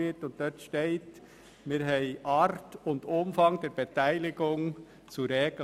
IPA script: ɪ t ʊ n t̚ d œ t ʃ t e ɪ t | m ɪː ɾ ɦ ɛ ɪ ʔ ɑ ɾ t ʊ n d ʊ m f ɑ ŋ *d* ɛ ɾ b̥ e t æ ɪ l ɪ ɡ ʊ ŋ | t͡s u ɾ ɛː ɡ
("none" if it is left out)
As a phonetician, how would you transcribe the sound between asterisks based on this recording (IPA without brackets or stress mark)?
d